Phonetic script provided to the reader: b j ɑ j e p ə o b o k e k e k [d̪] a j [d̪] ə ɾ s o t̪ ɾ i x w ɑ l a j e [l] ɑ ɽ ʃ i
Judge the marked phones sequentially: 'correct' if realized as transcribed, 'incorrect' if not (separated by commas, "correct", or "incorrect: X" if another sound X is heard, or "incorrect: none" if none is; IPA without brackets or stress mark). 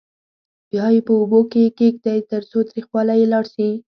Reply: correct, incorrect: t̪, correct